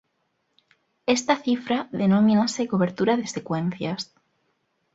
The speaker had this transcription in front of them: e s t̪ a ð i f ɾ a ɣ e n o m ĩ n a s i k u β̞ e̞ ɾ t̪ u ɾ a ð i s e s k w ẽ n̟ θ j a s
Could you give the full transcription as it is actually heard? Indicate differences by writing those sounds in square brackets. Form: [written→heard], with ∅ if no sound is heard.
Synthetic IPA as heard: e s t̪ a [ð→θ] i f ɾ a [ɣ→ð] e n o m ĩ n a s [i→e] k [u→o] β̞ e̞ ɾ t̪ u ɾ a ð [i→e] s e [s→∅] k w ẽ n̟ θ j a s